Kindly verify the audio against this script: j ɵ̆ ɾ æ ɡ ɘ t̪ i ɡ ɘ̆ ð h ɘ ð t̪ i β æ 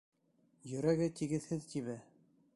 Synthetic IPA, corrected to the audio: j ɵ̆ ɾ æ ɡ ɘ t̪ i ɡ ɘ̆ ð h ɘ ð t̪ i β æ